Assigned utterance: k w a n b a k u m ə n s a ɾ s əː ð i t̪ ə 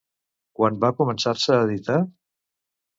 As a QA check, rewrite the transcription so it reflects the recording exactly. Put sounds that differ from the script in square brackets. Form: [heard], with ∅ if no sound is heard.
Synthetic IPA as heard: k w a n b a k u m ə n s a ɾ s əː ð i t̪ [a]